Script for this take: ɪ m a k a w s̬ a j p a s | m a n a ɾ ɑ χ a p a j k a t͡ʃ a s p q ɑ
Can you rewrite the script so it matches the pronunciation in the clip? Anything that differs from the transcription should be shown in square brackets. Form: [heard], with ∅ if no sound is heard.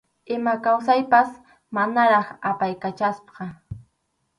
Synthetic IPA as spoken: ɪ m a k a w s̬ a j p a s | m a n a ɾ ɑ χ a p a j k a t͡ʃ a s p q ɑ